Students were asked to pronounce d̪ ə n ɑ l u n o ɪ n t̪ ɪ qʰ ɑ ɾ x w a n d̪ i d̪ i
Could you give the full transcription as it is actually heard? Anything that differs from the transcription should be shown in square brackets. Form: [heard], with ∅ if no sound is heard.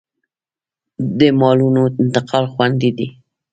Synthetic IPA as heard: d̪ ə [m] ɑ l u n o ɪ n t̪ ɪ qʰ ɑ [l] x w a n d̪ i d̪ i